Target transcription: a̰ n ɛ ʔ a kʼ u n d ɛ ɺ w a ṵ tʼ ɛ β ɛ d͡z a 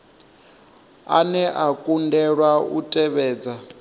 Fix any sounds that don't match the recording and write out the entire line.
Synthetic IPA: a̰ n ɛ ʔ a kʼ u n d ɛ ɺ w a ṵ tʼ ɛ β ɛː d͡z a